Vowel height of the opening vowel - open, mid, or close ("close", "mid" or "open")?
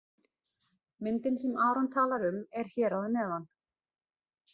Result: close